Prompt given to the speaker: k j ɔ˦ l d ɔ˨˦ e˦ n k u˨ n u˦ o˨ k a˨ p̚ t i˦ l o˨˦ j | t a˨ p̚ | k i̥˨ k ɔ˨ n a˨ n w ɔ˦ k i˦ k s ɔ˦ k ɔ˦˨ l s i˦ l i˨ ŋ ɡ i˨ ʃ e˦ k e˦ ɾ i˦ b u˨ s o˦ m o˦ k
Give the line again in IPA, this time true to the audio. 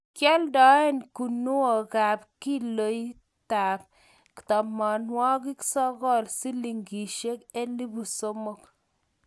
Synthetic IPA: k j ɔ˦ l d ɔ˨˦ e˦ n k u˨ n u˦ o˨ k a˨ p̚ k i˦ l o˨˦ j | t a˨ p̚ | k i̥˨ t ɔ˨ m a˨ n w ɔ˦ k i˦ k s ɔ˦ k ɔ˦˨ l s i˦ l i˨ ŋ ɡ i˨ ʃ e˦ k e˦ l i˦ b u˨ s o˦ m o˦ k